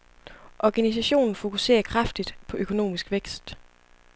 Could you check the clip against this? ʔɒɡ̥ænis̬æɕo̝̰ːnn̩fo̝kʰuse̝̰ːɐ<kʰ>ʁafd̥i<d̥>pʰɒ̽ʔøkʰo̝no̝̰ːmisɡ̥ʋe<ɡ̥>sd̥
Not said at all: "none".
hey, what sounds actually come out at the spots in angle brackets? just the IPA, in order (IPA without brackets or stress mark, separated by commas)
kʰ, d̥, ɡ̥